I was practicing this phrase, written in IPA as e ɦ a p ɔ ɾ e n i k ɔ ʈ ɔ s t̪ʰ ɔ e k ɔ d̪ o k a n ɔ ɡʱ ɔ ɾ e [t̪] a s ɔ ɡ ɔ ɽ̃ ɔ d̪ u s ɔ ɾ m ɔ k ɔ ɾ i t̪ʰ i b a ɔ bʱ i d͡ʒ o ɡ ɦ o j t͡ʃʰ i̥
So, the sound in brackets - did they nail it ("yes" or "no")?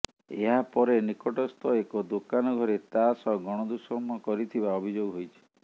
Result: yes